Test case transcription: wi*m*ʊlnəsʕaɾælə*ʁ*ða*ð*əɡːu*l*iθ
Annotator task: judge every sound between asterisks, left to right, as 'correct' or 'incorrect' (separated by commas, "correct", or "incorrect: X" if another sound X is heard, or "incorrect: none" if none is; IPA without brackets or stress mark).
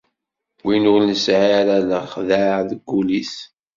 incorrect: n, incorrect: χ, correct, correct